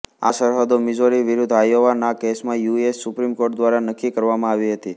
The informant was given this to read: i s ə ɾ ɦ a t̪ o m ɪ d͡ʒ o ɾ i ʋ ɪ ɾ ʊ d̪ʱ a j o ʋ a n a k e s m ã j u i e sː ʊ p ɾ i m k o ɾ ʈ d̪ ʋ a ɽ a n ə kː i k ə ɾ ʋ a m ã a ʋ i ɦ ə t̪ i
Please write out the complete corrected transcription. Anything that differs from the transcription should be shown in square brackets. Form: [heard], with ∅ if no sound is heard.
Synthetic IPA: [a] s ə ɾ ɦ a [d̪] o m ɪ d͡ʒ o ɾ i ʋ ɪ ɾ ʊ d̪ʱ a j o ʋ a n a k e s m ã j u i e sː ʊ p ɾ i m k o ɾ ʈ d̪ ʋ a [ɾ] a n ə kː i k ə ɾ ʋ a m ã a ʋ i ɦ ə t̪ i